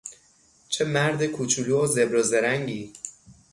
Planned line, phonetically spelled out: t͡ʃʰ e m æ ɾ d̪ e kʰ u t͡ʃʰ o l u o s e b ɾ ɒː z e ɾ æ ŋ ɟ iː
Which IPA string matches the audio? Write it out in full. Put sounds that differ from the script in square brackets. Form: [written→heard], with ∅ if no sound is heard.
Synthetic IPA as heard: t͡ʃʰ e m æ ɾ d̪ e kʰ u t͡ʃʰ [o→u] l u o [s→z] e b ɾ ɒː z e ɾ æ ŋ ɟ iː